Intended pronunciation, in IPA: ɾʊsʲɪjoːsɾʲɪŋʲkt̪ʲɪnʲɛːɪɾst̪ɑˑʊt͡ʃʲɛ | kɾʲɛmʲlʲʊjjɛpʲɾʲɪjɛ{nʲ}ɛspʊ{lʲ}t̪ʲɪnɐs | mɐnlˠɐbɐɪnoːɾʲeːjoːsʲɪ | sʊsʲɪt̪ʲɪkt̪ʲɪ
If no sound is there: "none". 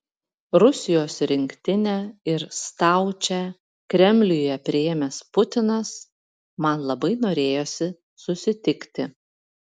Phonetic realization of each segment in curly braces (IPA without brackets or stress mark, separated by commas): mʲ, none